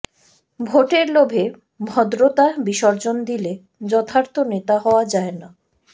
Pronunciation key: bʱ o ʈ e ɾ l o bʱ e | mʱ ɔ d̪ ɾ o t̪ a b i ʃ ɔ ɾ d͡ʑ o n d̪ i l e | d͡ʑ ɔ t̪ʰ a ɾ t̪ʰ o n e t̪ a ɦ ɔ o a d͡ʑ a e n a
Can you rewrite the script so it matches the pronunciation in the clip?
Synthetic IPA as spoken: bʱ o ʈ e ɾ l o bʱ e | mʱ ɔ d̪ ɾ o t̪ a b i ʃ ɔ ɾ d͡ʑ o n d̪ i l e | d͡ʑ ɔ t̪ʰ a ɾ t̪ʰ o n e t̪ a ɦ ɔ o a d͡ʑ a e n a